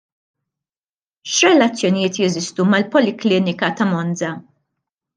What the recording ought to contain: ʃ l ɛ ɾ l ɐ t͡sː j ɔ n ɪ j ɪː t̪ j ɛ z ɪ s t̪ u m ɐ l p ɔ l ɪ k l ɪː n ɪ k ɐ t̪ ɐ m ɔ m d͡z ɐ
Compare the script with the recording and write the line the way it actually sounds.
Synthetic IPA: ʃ ɾ ɛ l ɐ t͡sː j ɔ n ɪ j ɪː t̪ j ɛ z ɪ s t̪ u m ɐ l p ɔ l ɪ k l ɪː n ɪ k ɐ t̪ ɐ m ɔ n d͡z ɐ

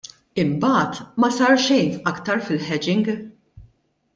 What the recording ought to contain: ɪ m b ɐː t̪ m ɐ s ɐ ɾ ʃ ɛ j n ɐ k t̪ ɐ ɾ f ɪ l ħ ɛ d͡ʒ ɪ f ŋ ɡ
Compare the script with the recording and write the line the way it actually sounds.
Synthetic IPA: ɪ m b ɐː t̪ m ɐ s ɐ ɾ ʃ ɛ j n ɐ k t̪ ɐ ɾ f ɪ l ħ ɛ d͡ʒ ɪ ŋ ɡ

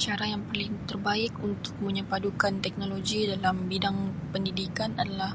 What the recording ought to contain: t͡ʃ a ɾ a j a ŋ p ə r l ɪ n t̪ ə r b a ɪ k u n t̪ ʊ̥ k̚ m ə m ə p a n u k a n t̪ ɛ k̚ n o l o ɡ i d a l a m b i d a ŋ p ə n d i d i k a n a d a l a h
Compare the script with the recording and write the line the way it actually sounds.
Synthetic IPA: t͡ʃ a ɾ a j a ŋ p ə r l ɪ ŋ t̪ ə r b a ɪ k u n t̪ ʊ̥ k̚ m ə ɲ ə p a d u k a n t̪ ɛ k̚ n o l o ɡ i d a l a m b i d a ŋ p ə n d i d i k a n a d a l a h

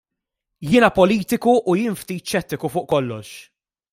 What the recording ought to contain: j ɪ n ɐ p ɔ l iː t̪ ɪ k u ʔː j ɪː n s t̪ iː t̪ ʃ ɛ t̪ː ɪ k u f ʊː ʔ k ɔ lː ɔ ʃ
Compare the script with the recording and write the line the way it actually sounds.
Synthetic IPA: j ɪː n ɐ p ɔ l iː t̪ ɪ k u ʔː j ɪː n f t̪ iː t̪ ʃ ɛ t̪ː ɪ k u f ʊː ʔ k ɔ lː ɔ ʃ

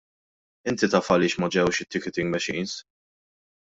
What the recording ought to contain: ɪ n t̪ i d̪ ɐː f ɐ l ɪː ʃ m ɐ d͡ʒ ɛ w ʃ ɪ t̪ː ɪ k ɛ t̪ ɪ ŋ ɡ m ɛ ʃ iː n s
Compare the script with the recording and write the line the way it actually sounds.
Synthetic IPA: ɪ n t̪ i t̪ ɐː f ɐ l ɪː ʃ m ɐ d͡ʒ ɛ w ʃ ɪ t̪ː ɪ k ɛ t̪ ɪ ŋ ɡ m ɛ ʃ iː n s

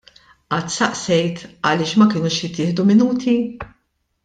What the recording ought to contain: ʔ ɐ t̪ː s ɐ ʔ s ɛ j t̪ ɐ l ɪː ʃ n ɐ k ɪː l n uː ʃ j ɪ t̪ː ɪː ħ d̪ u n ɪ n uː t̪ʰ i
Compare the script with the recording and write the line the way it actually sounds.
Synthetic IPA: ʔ ɐ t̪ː s ɐ ʔ s ɛ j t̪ ɐ l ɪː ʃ m ɐ k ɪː n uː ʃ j ɪ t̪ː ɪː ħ d̪ u m ɪ n uː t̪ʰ i

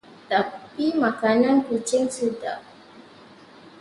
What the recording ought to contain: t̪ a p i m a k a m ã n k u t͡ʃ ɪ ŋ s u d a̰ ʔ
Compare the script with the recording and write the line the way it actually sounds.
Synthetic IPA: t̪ a p i m a k a n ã n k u t͡ʃ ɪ ŋ s u d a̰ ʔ

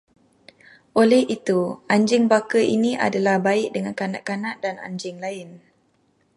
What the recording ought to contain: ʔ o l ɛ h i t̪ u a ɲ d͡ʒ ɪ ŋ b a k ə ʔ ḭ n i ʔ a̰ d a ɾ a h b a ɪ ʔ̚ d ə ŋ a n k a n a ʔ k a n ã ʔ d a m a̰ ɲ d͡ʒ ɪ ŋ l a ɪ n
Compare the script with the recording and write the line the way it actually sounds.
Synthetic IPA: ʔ o l ɛ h i t̪ u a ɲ d͡ʒ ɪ ŋ b a k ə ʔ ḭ n i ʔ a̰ d a l a h b a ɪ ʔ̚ d ə ŋ a n k a n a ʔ k a n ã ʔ d a n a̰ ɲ d͡ʒ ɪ ŋ l a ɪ n

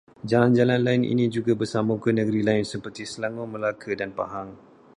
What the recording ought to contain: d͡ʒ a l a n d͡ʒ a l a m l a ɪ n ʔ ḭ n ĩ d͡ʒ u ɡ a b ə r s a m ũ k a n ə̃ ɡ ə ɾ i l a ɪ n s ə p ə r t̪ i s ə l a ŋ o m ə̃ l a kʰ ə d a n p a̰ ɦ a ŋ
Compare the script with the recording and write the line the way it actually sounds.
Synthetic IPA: d͡ʒ a l a n d͡ʒ a l a n l a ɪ n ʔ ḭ n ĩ d͡ʒ u ɡ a b ə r s a m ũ k ə n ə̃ ɡ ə ɾ i l a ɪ n s ə p ə r t̪ i s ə l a ŋ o m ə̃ l a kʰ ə d a n p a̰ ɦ a ŋ

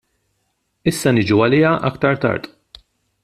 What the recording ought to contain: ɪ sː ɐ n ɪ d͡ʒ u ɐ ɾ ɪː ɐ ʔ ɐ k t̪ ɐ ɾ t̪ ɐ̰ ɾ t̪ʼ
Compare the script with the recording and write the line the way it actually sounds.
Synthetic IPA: ɪ sː ɐ n ɪ d͡ʒ u ɐ l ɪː ɐ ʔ ɐ k t̪ ɐ ɾ t̪ ɐ̰ ɾ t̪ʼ

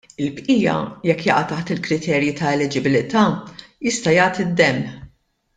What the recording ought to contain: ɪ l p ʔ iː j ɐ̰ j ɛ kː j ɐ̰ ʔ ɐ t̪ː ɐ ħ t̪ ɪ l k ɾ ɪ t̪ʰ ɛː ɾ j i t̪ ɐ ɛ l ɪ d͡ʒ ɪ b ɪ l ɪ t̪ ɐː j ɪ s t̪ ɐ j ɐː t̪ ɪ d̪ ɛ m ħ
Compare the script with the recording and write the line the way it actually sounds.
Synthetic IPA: ɪ l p ʔ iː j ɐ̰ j ɛ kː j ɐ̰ ʔ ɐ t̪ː ɐ ħ t̪ ɪ l k ɾ ɪ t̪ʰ ɛː ɾ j i t̪ ɐ ɛ l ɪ d͡ʒ ɪ b ɪ l ɪ t̪ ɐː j ɪ s t̪ ɐ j ɐː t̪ ɪ d̪ː ɛ m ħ

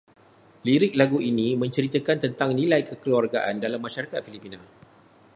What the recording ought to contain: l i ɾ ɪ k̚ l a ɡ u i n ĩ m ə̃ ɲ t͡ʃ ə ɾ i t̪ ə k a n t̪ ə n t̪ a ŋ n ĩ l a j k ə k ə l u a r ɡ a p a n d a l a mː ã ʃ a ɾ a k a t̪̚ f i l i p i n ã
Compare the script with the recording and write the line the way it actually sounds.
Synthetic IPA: l i ɾ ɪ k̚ l a ɡ u i n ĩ m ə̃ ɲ t͡ʃ ə ɾ i t̪ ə k a n t̪ ə n t̪ a ŋ n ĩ l a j k ə k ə l u a r ɡ a ʔ a n d a l a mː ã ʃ a ɾ a k a t̪̚ f i l i p i n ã

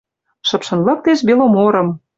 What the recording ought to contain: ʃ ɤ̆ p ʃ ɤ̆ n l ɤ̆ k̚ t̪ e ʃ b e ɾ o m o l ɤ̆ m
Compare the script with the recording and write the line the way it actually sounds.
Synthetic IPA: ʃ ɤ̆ p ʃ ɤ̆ n l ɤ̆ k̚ t̪ e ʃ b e l o m o ɾ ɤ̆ m

